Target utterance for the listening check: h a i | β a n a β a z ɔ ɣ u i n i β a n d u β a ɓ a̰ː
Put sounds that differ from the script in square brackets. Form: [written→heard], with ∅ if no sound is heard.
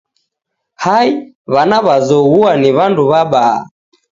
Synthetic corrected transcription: h a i | β a n a β a z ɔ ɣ u [i→a] n i β a n d u β a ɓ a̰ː